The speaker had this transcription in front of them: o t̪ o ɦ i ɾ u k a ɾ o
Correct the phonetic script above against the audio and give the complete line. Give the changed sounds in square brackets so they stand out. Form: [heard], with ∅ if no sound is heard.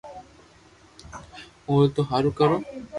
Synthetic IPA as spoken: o t̪ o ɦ [a] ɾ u k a ɾ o

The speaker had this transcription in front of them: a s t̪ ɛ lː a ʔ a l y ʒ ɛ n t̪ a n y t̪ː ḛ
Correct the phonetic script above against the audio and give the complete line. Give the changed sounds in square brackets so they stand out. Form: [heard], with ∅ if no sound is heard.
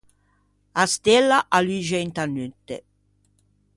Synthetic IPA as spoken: a s t̪ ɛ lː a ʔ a l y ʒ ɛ n t̪ a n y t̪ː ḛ

